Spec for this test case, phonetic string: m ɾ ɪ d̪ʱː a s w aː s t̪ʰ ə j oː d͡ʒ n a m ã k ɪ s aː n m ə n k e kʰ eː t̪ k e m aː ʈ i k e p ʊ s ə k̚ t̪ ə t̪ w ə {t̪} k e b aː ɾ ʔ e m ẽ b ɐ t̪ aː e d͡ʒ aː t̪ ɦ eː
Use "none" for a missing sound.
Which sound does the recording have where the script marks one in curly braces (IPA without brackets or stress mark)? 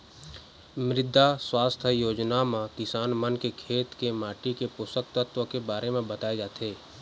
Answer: none